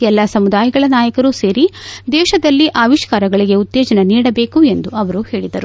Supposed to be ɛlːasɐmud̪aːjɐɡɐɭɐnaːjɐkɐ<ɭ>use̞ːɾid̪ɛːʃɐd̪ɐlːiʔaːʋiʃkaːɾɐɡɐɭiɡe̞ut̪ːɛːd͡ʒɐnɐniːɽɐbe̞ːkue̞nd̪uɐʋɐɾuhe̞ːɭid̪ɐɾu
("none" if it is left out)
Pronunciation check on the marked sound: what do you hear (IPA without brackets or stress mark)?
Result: ɾ